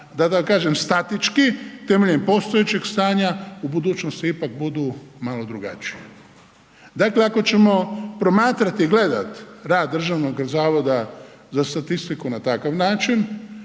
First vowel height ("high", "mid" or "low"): low